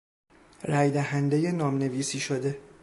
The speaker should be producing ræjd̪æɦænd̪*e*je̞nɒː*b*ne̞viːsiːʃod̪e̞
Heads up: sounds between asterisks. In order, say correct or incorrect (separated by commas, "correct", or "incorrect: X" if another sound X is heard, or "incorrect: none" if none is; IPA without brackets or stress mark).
correct, incorrect: m